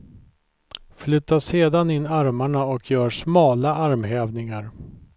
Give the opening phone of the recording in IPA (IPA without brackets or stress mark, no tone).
f